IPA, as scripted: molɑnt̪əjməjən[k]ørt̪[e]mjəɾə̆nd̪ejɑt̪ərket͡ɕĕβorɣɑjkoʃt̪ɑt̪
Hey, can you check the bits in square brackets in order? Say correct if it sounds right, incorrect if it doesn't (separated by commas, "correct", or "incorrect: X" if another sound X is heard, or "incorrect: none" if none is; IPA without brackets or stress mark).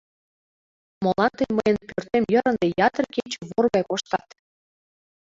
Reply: incorrect: p, correct